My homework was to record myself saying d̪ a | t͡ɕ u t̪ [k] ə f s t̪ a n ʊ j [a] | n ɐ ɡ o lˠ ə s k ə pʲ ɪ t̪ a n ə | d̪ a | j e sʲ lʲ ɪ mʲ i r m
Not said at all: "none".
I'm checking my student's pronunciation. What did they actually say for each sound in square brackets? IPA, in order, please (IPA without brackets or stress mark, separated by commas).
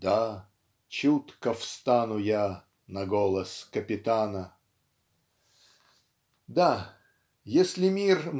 k, a